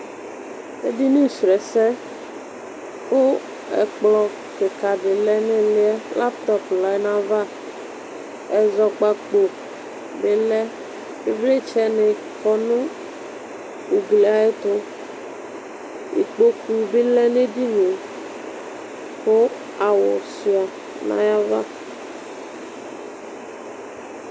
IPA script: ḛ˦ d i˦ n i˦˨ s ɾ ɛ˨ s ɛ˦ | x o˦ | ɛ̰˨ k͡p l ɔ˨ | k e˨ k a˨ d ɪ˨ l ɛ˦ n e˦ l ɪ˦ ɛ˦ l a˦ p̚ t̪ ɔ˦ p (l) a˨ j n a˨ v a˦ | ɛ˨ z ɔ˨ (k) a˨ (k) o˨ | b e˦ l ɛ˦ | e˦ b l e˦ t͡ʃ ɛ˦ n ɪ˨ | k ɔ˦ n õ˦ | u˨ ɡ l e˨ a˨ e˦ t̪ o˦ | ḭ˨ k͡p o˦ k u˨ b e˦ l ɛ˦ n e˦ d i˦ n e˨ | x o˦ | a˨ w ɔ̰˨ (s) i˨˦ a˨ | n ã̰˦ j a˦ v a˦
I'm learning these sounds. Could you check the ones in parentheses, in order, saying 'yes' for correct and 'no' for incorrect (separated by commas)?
yes, no, no, yes